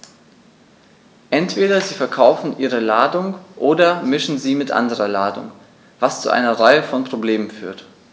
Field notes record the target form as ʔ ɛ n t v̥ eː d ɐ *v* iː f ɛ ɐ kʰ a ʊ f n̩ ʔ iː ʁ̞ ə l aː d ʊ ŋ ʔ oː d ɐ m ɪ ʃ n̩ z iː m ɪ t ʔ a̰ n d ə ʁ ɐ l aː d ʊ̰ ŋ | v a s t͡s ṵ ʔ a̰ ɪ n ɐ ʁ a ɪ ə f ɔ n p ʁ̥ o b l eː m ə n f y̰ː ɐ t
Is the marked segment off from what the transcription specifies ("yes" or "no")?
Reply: yes